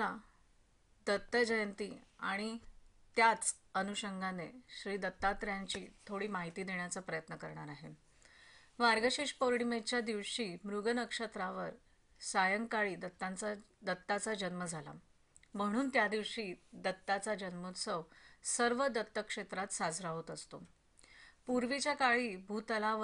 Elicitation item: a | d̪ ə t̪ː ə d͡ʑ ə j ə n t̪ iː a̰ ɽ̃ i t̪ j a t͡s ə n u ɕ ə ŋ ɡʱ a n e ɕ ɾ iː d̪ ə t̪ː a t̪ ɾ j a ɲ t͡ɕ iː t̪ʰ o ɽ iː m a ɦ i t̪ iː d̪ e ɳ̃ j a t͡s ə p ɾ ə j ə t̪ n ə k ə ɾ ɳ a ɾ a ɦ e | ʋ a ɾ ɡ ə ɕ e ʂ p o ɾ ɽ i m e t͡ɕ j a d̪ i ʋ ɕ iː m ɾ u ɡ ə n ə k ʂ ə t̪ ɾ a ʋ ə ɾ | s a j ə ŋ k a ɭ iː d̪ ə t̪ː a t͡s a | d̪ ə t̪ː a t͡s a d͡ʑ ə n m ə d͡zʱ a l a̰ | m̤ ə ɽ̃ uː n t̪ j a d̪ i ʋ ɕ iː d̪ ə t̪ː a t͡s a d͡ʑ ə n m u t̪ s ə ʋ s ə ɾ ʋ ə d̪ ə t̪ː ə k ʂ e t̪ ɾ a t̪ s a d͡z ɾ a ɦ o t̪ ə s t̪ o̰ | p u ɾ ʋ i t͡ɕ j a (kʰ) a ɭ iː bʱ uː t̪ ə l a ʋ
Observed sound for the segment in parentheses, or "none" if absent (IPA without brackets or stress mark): k